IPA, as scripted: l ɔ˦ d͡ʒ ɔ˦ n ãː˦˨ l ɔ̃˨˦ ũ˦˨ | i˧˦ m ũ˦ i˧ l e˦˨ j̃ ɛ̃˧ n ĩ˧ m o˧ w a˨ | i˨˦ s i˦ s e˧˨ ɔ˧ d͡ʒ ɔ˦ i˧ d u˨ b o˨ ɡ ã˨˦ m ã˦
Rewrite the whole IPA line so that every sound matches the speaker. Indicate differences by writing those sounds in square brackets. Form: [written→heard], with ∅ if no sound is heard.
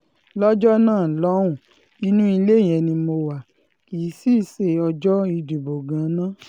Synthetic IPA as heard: l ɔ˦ d͡ʒ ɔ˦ n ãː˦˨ l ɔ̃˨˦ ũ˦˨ | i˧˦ [m→n] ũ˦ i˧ l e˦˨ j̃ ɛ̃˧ n ĩ˧ m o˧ w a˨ | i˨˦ s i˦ s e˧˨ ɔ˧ d͡ʒ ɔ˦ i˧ d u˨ b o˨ ɡ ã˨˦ [m→n] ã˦